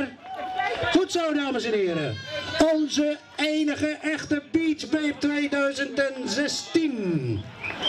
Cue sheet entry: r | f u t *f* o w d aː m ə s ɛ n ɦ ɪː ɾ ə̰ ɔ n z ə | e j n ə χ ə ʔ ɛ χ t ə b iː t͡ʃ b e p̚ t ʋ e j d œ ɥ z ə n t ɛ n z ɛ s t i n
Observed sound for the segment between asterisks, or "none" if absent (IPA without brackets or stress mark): s